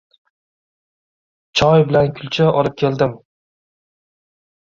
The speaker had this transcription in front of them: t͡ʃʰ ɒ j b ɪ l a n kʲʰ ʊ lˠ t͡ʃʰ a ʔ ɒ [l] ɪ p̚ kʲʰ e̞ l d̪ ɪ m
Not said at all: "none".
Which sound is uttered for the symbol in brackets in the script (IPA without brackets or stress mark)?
l